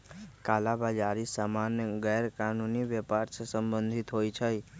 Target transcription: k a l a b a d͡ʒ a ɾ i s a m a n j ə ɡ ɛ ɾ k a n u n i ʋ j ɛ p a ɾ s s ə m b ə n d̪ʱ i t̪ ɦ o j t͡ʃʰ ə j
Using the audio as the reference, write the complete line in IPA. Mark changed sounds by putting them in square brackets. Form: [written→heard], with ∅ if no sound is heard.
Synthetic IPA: k a l a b a d͡ʒ a ɾ i s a m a n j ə ɡ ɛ ɾ k a n u n i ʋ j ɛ p a ɾ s s ə m b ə n d̪ʱ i t̪ ɦ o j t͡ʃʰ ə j